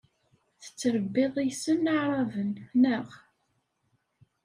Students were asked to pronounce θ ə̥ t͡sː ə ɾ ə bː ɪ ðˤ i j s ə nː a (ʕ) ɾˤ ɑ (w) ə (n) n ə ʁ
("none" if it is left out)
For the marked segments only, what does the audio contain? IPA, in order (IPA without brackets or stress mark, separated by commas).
ʕ, v, n